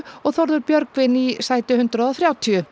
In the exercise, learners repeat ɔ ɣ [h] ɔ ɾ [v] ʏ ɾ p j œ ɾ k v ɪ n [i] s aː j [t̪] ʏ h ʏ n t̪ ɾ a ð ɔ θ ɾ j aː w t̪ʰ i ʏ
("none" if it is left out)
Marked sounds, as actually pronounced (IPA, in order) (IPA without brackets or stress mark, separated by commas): θ, ð, i, t̪